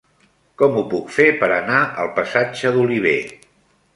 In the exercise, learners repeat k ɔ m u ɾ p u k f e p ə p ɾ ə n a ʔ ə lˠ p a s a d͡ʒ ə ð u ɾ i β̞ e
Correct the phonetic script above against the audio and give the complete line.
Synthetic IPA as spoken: k ɔ m u p u k f e p ə ɾ ə n a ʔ ə lˠ p ə s a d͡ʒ ə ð u l i β̞ e